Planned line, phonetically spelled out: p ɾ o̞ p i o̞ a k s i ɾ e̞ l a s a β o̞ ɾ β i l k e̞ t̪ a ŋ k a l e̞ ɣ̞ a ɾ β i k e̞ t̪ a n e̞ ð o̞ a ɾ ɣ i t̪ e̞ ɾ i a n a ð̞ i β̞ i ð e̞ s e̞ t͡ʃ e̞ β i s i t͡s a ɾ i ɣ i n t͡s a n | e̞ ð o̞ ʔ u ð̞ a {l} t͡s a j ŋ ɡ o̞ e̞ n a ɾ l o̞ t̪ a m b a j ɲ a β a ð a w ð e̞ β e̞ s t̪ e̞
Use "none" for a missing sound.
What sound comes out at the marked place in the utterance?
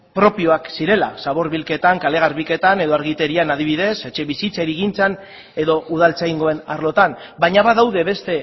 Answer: l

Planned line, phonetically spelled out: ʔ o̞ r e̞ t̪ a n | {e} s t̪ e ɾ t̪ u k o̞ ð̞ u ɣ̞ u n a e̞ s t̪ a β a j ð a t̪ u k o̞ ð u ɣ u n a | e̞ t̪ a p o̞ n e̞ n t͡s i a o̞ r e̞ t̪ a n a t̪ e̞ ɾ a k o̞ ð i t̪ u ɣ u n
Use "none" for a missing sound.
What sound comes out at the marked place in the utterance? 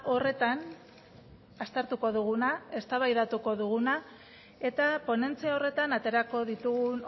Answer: a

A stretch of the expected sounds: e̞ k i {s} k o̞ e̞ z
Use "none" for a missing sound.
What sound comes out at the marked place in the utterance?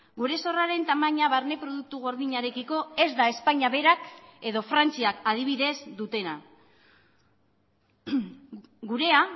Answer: none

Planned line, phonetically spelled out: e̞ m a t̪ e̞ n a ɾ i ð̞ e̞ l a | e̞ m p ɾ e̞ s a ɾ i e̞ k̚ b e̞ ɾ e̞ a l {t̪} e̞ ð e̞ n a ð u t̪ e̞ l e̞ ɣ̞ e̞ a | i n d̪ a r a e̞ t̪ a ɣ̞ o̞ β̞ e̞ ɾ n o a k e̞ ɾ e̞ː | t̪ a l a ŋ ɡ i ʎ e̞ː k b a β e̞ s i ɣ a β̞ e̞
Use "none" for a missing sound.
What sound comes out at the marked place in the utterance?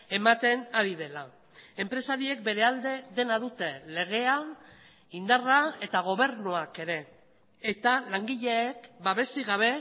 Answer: d̪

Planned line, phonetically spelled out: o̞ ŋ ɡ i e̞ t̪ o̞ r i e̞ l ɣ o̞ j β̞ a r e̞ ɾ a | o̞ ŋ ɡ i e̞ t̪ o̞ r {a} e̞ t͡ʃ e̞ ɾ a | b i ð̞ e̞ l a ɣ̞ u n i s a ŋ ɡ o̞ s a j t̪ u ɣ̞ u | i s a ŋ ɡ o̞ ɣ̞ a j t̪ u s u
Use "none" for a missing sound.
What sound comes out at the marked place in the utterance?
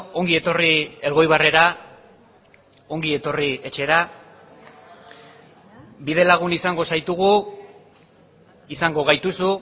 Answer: i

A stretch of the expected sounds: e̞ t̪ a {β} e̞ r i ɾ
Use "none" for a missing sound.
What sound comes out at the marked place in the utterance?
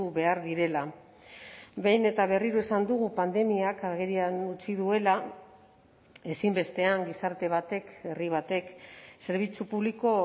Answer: β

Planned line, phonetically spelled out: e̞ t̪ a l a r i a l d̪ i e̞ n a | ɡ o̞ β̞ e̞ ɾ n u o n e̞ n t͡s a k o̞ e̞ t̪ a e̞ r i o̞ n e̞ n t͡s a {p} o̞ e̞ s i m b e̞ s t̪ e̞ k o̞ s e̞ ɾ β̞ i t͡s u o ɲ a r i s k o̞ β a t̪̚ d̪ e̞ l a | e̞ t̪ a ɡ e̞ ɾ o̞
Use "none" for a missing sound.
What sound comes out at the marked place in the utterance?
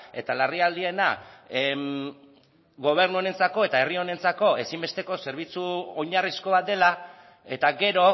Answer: k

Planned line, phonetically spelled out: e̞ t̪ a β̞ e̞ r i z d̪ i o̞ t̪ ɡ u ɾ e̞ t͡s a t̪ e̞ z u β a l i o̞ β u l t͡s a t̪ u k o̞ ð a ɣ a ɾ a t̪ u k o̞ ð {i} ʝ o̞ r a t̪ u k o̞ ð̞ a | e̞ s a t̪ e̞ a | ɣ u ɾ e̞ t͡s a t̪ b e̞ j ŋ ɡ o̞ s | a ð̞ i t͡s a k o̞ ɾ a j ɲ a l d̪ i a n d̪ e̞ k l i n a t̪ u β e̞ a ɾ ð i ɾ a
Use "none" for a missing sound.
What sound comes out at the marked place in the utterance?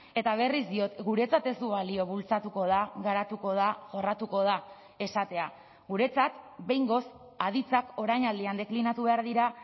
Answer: a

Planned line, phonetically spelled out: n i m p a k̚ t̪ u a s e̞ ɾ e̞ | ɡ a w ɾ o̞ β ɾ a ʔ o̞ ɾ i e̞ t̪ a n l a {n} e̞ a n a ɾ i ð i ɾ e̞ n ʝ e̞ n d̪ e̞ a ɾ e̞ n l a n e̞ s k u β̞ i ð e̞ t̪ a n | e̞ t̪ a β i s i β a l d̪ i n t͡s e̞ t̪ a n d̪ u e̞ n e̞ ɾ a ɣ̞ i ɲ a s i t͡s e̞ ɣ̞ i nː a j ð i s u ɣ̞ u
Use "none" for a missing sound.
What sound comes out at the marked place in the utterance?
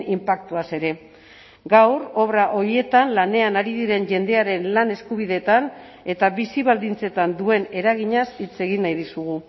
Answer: n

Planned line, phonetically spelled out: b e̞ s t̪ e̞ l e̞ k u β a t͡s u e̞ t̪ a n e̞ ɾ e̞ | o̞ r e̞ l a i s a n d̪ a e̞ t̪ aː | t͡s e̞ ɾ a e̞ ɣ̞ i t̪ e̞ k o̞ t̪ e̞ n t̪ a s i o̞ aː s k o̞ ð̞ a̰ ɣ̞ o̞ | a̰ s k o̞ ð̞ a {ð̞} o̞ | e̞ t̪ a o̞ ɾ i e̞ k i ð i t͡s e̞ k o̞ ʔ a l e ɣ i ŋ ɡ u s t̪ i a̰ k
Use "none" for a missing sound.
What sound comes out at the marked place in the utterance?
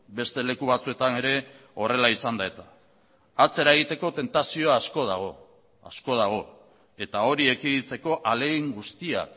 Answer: ɣ̞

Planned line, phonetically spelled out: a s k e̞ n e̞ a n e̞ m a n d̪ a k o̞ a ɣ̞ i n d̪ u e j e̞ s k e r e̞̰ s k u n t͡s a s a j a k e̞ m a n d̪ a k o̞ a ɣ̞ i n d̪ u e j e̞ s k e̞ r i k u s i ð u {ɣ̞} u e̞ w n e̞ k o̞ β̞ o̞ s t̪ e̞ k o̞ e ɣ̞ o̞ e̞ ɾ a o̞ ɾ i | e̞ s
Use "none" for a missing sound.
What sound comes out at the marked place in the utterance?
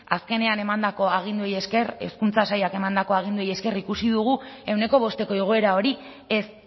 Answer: ɣ̞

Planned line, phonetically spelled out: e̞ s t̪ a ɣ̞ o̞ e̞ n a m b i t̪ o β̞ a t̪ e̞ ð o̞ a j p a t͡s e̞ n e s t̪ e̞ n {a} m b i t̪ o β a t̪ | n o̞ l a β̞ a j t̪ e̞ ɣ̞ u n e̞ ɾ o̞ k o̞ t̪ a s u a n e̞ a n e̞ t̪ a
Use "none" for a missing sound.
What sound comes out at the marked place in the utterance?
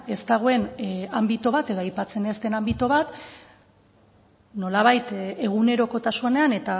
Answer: a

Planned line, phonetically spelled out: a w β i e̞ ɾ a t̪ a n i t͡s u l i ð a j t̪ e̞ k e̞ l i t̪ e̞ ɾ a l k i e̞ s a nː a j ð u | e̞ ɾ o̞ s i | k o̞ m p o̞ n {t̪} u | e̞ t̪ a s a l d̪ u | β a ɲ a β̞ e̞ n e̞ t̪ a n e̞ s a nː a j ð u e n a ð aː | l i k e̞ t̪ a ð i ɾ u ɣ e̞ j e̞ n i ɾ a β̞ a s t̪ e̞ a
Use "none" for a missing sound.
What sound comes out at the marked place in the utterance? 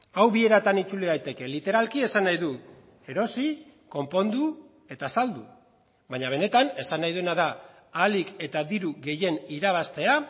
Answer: d̪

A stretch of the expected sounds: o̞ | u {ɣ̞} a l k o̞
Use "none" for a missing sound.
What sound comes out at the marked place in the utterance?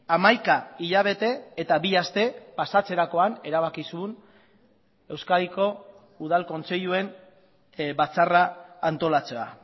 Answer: ð̞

